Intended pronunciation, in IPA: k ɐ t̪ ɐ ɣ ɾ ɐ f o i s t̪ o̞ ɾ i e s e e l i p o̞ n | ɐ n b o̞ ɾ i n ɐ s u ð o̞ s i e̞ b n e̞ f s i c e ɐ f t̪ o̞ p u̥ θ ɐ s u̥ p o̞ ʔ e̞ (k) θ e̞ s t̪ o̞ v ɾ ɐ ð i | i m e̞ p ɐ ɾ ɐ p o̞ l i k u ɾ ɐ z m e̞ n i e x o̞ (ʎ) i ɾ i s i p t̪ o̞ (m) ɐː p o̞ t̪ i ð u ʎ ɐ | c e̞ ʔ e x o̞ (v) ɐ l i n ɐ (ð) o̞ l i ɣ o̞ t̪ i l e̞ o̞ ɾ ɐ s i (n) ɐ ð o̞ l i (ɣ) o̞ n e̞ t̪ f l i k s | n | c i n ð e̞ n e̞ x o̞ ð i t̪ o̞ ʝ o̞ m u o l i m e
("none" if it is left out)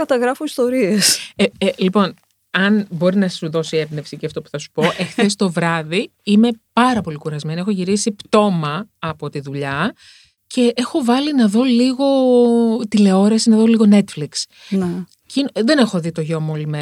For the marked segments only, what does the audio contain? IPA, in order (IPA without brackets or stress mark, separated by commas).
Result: x, ʝ, m, v, ð, n, ɣ